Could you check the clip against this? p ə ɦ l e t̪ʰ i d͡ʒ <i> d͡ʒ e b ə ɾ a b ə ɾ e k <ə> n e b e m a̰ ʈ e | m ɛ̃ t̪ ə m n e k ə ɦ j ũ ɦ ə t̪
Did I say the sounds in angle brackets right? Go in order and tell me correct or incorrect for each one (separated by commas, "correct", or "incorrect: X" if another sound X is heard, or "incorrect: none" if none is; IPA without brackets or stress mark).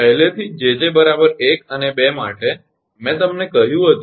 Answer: incorrect: e, correct